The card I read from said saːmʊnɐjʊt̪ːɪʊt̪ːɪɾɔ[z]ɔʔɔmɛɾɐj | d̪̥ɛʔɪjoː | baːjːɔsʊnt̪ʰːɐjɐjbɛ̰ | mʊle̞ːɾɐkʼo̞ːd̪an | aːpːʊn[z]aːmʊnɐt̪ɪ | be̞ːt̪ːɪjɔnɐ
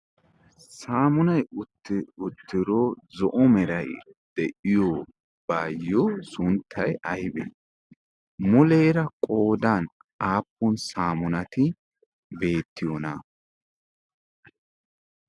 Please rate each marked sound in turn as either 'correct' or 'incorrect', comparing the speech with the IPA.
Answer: correct, incorrect: s

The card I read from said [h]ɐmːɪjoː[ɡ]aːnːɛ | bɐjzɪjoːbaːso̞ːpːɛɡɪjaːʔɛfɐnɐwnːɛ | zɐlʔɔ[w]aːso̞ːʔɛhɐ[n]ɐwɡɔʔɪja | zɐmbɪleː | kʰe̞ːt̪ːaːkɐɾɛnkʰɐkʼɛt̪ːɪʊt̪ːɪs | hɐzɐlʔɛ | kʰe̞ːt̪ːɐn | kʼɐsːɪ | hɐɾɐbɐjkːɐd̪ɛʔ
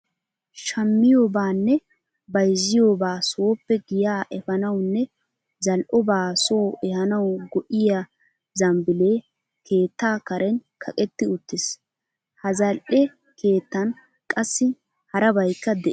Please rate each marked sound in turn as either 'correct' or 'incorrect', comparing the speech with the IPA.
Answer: incorrect: ʃ, incorrect: b, incorrect: b, correct

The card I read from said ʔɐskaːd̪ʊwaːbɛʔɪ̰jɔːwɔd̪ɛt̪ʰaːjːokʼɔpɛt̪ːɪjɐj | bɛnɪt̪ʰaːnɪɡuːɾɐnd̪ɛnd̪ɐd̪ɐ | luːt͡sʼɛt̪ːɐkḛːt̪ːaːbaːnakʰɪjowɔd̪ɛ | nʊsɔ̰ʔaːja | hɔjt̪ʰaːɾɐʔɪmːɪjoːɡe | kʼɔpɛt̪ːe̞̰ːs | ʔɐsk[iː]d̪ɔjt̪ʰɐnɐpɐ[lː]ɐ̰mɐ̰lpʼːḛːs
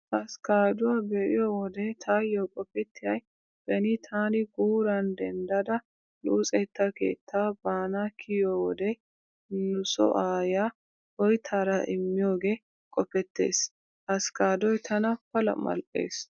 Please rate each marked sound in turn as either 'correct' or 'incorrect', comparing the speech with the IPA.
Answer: incorrect: aː, incorrect: l

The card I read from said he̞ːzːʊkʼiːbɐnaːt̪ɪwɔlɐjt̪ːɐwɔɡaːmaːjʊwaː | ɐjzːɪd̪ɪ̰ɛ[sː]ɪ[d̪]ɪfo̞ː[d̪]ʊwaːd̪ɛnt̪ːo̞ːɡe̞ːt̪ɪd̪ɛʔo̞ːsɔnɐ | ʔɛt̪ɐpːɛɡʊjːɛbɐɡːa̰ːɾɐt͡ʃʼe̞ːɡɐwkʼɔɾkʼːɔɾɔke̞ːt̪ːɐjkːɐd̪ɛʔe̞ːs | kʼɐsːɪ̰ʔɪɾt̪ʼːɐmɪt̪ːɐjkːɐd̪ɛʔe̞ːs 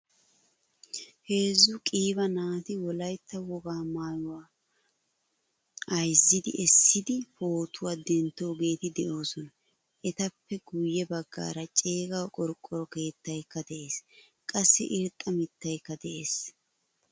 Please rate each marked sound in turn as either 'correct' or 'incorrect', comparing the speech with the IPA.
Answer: correct, correct, incorrect: t̪

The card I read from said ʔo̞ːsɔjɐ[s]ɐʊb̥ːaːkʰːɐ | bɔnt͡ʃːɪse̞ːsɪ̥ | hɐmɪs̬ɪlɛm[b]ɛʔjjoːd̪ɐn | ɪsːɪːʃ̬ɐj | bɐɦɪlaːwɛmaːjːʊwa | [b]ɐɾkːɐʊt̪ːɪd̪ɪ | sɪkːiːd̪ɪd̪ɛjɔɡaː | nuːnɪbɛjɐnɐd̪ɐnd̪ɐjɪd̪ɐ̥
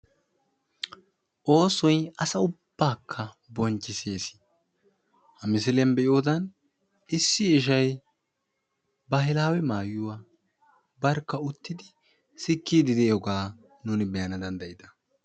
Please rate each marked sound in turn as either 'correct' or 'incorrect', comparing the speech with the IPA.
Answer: correct, correct, correct

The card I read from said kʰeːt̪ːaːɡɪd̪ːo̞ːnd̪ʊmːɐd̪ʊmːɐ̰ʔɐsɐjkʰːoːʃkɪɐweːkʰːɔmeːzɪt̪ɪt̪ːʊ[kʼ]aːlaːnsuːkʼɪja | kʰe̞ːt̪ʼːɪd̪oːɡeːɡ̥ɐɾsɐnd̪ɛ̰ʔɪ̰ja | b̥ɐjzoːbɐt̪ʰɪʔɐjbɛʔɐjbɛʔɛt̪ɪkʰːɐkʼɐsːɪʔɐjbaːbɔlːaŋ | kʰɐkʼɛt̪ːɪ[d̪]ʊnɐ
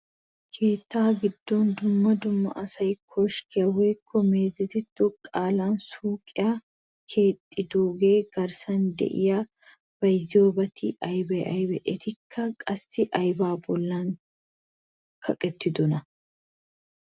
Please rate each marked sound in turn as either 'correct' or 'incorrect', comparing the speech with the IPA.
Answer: correct, correct

